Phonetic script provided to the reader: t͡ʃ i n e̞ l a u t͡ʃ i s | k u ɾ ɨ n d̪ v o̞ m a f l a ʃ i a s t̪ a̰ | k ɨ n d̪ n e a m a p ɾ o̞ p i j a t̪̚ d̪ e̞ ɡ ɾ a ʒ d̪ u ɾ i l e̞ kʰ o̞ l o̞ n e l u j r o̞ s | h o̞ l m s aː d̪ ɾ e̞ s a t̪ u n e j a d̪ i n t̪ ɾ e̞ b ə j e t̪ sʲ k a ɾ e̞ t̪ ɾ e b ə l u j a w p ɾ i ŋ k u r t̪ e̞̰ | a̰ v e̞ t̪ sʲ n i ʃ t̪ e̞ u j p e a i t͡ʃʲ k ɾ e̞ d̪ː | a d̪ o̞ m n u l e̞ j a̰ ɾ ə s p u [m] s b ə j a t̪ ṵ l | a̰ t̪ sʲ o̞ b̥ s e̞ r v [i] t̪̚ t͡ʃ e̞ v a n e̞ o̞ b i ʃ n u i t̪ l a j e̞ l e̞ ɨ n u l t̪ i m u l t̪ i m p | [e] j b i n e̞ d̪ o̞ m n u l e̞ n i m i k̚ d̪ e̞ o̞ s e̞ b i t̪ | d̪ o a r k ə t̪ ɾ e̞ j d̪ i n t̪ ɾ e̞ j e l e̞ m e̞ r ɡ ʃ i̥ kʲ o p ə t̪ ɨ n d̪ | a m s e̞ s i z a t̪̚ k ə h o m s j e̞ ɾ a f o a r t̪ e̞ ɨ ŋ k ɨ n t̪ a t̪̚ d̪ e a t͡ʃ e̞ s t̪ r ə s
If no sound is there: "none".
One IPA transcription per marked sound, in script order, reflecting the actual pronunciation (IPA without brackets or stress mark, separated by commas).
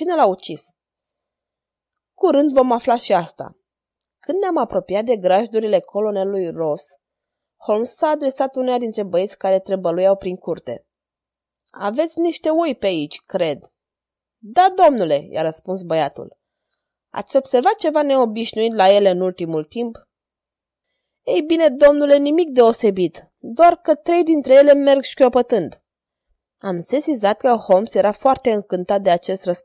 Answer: n, a, e